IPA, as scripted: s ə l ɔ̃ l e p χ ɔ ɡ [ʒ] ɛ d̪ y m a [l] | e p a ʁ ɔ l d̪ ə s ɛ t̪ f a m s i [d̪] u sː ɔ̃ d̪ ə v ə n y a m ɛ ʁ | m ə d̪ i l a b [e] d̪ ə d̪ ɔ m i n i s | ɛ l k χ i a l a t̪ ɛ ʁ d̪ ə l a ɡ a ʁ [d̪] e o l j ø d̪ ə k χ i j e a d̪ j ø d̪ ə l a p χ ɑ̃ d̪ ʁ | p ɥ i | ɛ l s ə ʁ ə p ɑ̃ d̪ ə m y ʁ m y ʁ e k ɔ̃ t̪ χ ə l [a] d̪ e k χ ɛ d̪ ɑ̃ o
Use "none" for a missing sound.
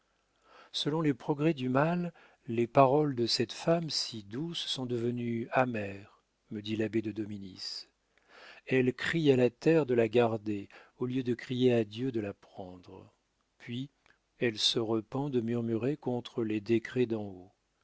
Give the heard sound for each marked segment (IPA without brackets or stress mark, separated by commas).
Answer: ʁ, lː, d̪, e, d̪, e